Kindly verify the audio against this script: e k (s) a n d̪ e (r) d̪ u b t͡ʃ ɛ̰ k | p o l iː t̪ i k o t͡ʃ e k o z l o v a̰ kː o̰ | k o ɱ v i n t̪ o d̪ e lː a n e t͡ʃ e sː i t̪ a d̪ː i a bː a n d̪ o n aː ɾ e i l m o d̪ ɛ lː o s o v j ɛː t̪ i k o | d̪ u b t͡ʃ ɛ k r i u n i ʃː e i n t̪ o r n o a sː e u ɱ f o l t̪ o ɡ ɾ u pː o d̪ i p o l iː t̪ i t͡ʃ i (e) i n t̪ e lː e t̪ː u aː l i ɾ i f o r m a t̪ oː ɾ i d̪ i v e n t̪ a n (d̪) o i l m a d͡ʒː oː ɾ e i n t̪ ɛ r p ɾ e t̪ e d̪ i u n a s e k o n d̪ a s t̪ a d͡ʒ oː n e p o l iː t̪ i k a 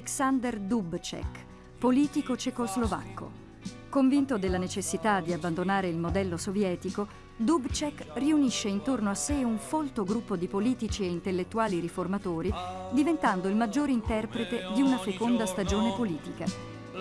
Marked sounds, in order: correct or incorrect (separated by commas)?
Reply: correct, correct, correct, correct